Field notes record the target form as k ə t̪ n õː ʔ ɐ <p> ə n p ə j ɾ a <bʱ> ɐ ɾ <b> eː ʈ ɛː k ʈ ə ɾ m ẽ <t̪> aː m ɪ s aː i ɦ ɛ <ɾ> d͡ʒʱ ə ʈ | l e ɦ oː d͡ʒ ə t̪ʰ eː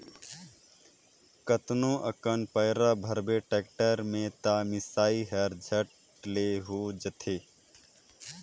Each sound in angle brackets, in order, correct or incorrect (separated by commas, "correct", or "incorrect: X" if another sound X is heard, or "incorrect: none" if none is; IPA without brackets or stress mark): incorrect: k, correct, correct, correct, correct